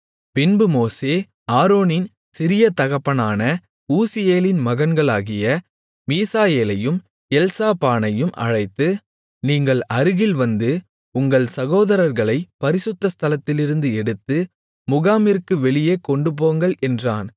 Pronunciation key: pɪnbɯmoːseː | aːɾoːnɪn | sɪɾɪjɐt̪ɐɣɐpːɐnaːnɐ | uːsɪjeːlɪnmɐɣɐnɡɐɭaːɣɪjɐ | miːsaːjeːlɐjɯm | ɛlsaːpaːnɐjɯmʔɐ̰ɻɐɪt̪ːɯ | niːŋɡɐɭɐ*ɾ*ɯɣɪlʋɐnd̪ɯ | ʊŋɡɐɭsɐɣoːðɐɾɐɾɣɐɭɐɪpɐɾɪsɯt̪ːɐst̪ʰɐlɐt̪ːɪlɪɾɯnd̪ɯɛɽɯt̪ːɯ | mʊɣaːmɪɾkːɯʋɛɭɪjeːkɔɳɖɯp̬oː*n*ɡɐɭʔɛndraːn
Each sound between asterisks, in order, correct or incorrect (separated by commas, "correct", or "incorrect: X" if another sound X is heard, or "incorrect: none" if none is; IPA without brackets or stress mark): correct, incorrect: ŋ